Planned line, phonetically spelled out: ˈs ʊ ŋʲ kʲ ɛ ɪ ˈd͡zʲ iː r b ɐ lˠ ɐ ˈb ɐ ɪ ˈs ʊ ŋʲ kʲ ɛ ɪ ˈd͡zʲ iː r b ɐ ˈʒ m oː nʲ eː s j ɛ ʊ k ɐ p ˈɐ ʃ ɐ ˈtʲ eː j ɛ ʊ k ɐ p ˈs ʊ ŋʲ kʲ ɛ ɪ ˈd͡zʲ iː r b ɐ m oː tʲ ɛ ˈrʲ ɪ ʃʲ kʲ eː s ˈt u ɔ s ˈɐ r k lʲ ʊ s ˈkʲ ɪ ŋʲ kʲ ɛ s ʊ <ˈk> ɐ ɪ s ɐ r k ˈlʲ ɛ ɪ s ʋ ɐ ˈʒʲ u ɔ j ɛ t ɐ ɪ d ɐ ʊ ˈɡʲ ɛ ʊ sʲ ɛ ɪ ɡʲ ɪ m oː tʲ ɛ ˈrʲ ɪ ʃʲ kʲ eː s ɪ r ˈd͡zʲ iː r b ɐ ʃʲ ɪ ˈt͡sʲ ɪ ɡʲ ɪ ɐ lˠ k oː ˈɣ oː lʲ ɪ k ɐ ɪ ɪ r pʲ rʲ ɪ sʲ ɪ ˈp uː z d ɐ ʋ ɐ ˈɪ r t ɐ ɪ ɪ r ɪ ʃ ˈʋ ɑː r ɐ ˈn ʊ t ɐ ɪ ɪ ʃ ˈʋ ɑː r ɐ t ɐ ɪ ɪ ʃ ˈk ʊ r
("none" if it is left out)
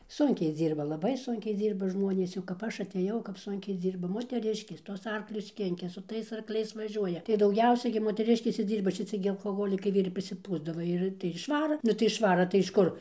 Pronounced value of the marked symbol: t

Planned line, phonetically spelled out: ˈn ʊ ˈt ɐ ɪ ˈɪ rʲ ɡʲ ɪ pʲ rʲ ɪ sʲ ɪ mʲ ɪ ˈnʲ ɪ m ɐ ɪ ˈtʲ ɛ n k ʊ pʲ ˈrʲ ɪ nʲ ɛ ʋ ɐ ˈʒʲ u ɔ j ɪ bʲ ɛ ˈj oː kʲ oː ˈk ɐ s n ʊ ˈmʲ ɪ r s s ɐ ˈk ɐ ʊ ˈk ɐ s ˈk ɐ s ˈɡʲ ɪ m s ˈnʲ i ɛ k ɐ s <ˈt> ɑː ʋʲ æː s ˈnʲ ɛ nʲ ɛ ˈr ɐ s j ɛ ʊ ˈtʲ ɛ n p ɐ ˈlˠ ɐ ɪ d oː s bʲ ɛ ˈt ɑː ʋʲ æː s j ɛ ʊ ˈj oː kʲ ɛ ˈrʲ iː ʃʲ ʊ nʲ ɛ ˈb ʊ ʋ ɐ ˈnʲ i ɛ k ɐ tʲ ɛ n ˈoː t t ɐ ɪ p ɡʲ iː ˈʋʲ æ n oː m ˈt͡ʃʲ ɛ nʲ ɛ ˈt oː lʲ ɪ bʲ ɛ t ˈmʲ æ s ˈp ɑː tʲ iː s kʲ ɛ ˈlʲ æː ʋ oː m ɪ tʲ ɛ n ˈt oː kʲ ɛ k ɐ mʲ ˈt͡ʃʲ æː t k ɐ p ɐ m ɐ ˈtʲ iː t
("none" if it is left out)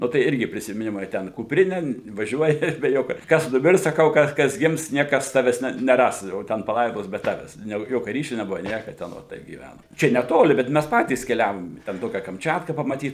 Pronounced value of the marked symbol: t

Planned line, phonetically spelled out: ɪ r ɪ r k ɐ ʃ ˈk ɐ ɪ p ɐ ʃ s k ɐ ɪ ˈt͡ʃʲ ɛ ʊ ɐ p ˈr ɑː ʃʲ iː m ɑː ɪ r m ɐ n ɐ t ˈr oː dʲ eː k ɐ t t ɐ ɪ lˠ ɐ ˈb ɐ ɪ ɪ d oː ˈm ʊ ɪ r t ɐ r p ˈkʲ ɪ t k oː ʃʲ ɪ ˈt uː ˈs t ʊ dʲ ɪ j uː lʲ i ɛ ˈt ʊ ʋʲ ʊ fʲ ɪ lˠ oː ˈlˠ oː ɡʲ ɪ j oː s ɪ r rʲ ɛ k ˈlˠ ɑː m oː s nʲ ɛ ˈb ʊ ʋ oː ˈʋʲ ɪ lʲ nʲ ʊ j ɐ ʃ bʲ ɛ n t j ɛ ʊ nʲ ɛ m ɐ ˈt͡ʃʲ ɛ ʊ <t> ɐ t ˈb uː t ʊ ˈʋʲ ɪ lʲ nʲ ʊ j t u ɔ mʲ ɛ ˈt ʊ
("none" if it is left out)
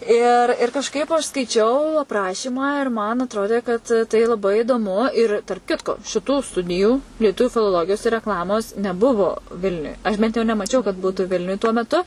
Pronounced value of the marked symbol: k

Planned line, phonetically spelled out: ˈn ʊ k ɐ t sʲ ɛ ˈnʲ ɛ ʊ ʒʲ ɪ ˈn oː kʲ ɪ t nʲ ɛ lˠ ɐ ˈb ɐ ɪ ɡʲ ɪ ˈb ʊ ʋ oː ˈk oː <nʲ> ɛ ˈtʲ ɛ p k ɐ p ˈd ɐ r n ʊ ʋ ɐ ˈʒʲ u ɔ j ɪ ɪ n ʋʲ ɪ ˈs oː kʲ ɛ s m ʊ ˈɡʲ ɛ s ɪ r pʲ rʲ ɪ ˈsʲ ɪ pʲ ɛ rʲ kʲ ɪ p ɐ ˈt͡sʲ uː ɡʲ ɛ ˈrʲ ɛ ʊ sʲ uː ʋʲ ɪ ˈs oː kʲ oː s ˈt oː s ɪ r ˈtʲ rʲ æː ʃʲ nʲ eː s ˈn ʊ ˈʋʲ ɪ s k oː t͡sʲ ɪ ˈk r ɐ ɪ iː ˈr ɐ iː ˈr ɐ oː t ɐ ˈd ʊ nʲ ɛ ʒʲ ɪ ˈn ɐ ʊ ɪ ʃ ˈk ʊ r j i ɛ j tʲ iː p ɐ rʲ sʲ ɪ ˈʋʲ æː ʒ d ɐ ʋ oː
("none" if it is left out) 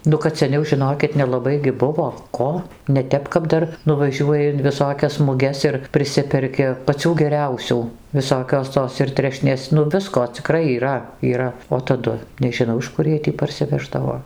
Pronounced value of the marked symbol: nʲ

